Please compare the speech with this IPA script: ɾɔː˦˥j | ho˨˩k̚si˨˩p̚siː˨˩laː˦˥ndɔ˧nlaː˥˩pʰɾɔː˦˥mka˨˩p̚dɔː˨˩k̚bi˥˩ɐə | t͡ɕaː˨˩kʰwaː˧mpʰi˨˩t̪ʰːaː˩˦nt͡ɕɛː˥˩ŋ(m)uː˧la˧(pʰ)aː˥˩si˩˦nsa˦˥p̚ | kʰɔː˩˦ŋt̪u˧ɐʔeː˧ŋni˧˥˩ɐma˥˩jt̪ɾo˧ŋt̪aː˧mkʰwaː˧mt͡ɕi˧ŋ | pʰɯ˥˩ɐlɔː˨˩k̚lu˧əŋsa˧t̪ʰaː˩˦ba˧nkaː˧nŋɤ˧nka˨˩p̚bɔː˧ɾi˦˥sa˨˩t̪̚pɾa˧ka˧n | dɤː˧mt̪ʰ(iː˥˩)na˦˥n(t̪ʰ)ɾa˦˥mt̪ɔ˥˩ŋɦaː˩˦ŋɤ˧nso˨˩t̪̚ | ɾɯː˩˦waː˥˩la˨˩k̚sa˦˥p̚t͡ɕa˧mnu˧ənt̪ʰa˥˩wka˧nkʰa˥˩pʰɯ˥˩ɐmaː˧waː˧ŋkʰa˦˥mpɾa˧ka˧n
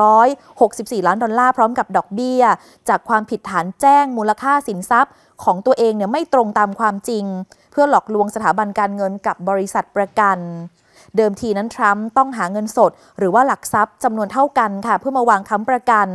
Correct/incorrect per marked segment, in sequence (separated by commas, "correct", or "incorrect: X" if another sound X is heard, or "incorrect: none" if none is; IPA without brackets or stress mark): correct, incorrect: kʰ, incorrect: iː˧, correct